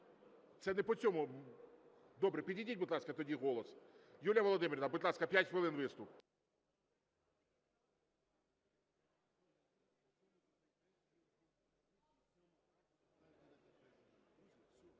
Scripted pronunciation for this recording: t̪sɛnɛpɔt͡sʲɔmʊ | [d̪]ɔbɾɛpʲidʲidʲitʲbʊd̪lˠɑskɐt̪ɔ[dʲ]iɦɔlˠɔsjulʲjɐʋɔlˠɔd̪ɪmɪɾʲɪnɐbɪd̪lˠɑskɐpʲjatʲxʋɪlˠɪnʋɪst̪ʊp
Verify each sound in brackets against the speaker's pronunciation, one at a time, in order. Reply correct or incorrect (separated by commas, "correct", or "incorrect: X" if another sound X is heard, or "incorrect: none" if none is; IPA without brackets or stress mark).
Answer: correct, correct